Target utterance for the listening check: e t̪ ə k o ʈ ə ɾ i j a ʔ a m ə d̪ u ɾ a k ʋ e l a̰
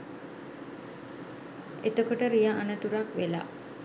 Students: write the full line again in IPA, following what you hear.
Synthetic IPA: e t̪ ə k o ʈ ə ɾ i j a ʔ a n ə t̪ u ɾ a k ʋ e l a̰